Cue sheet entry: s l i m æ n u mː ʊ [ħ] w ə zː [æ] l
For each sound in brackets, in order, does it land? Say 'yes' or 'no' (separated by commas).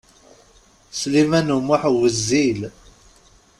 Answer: yes, no